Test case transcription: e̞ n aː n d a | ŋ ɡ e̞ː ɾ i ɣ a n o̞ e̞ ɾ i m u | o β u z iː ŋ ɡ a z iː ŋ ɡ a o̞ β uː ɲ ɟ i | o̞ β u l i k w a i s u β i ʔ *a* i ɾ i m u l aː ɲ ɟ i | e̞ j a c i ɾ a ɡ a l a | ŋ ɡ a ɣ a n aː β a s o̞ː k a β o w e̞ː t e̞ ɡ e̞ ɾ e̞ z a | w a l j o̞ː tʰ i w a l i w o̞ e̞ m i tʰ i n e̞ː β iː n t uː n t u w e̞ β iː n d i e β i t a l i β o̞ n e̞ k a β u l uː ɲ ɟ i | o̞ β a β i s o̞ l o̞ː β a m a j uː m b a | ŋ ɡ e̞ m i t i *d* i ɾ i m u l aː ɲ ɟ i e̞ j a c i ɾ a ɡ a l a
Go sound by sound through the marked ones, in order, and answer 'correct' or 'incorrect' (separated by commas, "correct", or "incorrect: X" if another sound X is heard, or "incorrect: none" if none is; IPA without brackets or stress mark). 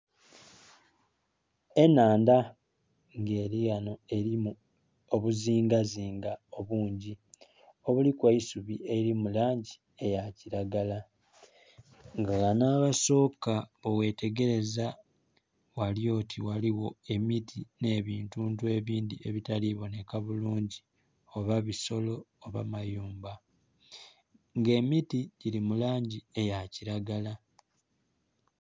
incorrect: e, incorrect: ɟ